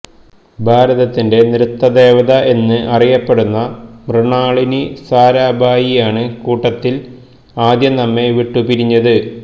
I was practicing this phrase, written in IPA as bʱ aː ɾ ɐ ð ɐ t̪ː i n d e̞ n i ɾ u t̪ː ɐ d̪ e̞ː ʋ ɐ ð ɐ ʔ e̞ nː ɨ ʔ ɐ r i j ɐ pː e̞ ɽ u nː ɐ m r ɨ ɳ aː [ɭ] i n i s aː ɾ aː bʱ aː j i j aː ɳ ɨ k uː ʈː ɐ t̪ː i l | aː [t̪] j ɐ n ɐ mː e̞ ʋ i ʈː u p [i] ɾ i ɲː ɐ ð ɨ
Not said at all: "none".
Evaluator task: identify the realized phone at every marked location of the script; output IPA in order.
ɭ, d̪, i

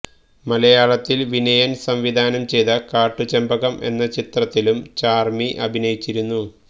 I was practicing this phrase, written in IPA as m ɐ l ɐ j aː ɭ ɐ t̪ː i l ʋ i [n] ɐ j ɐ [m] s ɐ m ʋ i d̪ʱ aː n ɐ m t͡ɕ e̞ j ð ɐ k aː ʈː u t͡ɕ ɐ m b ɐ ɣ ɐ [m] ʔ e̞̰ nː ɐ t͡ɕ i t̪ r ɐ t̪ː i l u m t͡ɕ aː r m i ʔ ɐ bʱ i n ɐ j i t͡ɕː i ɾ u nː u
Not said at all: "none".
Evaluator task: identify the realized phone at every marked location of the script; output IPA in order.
n, n, m

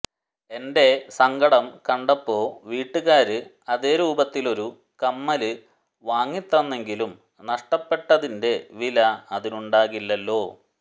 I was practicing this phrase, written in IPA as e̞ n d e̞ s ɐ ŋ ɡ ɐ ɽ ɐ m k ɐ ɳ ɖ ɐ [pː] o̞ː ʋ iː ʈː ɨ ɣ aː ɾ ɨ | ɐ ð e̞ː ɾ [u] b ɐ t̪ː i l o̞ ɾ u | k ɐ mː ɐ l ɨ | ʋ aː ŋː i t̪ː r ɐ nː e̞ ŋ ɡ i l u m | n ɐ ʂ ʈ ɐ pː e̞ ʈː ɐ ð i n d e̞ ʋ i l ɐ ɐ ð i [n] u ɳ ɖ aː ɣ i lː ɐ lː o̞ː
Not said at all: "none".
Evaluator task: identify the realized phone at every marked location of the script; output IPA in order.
pː, uː, n

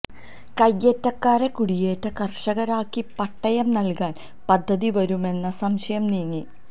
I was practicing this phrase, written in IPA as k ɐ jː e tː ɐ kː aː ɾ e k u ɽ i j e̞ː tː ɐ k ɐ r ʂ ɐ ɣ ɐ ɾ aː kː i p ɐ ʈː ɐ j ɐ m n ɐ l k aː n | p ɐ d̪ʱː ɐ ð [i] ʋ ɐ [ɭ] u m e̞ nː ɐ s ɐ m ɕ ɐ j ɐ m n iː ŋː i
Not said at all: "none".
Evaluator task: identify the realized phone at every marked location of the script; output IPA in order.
i, ɾ

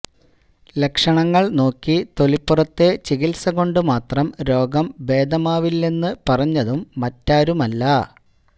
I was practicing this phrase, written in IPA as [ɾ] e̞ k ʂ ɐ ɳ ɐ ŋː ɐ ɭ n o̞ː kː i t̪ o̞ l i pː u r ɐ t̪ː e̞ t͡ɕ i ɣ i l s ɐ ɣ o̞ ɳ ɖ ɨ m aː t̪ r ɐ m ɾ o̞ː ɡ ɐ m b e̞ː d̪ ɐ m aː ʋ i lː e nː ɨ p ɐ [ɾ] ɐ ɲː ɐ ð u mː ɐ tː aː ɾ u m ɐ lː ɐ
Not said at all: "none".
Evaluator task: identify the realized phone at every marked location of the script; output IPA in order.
l, r

